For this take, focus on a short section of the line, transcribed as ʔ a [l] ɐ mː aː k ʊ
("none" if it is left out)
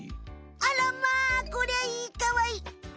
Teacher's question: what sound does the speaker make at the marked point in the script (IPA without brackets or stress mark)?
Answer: l